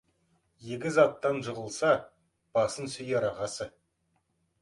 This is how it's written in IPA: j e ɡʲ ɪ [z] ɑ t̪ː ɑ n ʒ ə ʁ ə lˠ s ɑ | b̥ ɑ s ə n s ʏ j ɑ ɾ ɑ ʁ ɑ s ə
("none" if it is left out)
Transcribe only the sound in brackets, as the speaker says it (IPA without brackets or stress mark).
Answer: z